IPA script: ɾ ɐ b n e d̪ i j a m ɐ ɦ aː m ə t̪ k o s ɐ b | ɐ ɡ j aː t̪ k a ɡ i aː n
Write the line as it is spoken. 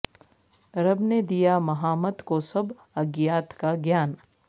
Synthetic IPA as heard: ɾ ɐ b n e d̪ i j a m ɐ ɦ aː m ə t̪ k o s ɐ b | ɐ ɡ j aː t̪ k a ɡ j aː n

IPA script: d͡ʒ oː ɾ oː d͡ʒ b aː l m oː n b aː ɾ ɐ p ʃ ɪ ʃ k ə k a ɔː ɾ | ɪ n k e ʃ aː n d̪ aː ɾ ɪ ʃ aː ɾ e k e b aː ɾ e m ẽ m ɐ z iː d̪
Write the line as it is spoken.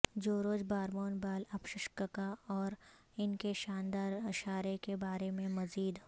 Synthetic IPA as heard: d͡ʒ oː ɾ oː d͡ʒ b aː ɾ m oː n b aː l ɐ p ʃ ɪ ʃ k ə k a ɔː ɾ | ɪ n k e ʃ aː n d̪ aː ɾ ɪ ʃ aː ɾ e k e b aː ɾ e m ẽ m ɐ z iː d̪

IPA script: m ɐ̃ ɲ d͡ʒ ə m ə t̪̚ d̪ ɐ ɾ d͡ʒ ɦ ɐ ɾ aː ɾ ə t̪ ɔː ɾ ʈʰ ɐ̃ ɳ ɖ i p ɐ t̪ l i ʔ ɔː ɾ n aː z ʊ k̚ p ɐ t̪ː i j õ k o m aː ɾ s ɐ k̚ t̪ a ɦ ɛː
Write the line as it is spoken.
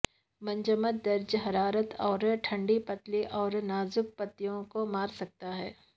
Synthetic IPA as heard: m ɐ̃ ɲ d͡ʒ ə m ə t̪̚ d̪ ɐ ɾ d͡ʒ ɦ ɐ ɾ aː ɾ ə t̪ ɔː ɾ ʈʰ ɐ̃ ɳ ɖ i p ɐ t̪ l i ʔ ɔː ɾ n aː z ʊ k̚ p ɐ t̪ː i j õ k o m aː ɾ s ɐ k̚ t̪ a ɦ ɛː

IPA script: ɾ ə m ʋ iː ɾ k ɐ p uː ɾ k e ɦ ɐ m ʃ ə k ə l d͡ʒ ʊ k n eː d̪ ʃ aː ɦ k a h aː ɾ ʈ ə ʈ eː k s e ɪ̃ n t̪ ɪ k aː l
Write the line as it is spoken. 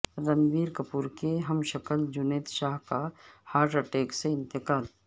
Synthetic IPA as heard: ɾ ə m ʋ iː ɾ k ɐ p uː ɾ k e ɦ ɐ m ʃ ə k ə l d͡ʒ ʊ n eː t̪ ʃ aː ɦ k a h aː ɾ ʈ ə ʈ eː k s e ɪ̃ n t̪ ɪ k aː l

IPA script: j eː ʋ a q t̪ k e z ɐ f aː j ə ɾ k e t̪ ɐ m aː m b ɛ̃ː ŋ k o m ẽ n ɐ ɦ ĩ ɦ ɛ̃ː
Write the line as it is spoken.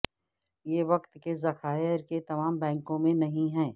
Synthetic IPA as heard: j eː ʋ ɐ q t̪ k e z ɐ x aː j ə ɾ k e t̪ ɐ m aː m b ɛ̃ː ŋ k õ m ẽ n ɐ ɦ ĩ ɦ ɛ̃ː

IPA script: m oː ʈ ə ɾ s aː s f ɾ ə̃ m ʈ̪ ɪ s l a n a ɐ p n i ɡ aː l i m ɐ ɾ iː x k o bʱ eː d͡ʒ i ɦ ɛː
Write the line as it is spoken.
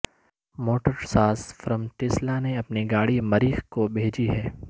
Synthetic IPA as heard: m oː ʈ ə ɾ s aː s f ɾ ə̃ m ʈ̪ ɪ s l a n e ɐ p n i ɡ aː ɽ i m ɐ ɾ iː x k o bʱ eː d͡ʒ i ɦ ɛː

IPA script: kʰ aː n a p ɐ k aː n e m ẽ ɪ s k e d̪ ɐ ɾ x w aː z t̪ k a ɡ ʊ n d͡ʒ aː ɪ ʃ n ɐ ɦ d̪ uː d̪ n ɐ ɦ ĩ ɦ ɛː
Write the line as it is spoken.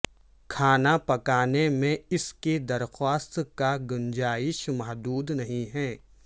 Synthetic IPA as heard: kʰ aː n a p ɐ k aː n e m ẽ ɪ s k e d̪ ɐ ɾ x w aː s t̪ k a ɡ ʊ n d͡ʒ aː ɪ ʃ m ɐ ɦ d̪ uː d̪ n ɐ ɦ ĩ ɦ ɛː

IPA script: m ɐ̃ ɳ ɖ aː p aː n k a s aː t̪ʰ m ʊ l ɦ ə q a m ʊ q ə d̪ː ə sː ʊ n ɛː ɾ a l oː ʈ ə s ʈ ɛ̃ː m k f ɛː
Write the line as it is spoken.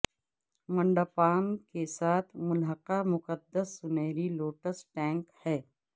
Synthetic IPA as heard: m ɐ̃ ɳ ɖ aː p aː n k e s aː t̪ʰ m ʊ l ɦ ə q a m ʊ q ə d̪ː ə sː ʊ n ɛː ɾ i l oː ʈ ə s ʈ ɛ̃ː ŋ k h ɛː

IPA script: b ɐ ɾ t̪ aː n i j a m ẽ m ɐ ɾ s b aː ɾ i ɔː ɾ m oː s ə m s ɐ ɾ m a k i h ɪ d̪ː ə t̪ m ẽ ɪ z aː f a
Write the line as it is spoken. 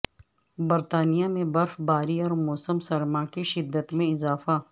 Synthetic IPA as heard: b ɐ ɾ t̪ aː n i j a m ẽ b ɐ ɾ f b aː ɾ i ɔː ɾ m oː s ə m s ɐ ɾ m a k i ʃ ɪ d̪ː ə t̪ m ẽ ɪ z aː f a

